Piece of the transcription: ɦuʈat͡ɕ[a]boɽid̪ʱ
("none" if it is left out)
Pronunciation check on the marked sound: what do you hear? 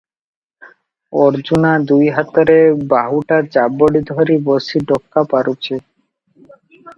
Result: a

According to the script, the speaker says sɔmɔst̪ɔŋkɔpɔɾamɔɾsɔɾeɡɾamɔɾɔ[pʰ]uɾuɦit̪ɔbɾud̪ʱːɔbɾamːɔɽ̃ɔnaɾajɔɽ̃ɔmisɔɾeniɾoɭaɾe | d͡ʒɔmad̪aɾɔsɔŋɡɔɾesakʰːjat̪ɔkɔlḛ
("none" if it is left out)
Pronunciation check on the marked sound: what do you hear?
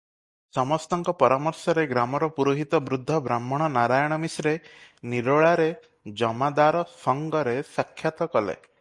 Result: p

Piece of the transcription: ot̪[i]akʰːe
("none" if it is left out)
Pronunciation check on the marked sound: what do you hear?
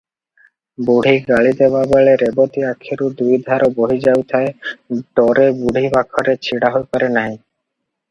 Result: i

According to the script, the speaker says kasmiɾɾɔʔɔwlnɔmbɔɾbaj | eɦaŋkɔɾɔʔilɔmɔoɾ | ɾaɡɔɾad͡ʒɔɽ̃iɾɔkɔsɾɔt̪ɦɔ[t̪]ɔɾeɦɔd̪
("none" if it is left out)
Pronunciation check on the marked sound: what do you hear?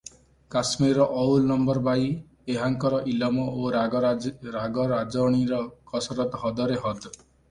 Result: d̪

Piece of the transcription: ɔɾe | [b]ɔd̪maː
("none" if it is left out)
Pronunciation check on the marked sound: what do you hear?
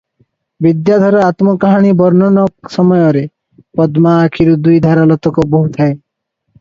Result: p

